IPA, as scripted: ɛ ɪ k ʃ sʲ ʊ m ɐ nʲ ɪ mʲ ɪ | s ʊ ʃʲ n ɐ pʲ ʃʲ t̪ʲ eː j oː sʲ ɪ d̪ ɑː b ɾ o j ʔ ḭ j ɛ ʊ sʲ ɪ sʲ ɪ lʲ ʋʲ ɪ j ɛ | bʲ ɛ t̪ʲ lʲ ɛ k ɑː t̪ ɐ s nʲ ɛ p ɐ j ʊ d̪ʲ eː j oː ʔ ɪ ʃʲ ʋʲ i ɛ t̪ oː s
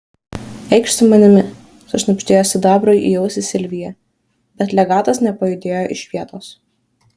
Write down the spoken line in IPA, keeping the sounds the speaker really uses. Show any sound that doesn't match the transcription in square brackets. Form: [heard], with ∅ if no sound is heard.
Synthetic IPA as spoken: ɛ ɪ k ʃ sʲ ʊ m ɐ nʲ ɪ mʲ ɪ | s ʊ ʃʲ n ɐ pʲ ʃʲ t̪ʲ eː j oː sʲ ɪ d̪ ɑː b ɾ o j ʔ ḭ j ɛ ʊ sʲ ɪ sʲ ɪ lʲ ʋʲ ɪ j ɛ | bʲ ɛ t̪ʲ lʲ ɛ [ɡ] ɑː t̪ ɐ s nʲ ɛ p ɐ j ʊ d̪ʲ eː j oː ʔ ɪ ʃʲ ʋʲ i ɛ t̪ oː s